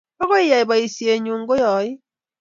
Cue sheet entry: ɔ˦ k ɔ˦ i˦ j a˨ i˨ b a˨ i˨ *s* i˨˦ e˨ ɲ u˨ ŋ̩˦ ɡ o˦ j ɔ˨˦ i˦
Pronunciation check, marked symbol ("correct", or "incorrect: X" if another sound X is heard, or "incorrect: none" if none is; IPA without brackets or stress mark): correct